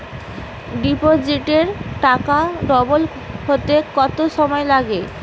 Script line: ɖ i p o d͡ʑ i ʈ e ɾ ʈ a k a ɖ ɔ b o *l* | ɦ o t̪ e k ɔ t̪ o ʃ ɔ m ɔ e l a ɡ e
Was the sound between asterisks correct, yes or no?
yes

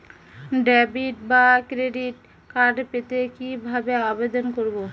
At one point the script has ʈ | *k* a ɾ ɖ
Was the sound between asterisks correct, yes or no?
yes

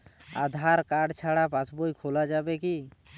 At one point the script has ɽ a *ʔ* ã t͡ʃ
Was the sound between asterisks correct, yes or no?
no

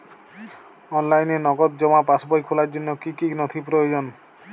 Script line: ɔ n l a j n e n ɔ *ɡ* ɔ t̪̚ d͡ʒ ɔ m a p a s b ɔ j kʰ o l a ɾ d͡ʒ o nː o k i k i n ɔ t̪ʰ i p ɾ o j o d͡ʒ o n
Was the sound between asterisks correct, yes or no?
yes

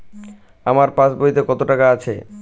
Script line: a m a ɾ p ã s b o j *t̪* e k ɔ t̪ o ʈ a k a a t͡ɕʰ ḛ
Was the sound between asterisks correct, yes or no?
yes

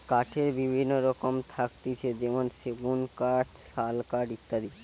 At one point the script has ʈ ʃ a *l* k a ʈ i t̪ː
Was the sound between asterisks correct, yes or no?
yes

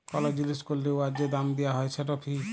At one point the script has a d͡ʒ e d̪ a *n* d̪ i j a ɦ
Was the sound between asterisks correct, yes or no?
no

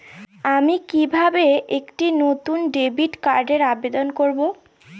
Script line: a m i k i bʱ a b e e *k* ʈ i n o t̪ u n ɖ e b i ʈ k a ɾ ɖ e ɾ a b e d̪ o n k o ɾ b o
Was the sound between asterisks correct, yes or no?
yes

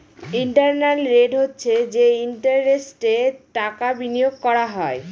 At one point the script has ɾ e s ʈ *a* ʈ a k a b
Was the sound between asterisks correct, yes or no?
no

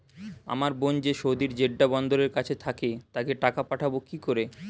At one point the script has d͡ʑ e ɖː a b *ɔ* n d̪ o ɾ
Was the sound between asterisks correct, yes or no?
yes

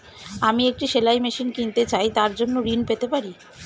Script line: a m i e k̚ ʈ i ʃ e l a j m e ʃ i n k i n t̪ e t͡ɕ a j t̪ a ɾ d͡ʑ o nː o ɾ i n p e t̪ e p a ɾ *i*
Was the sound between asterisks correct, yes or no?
yes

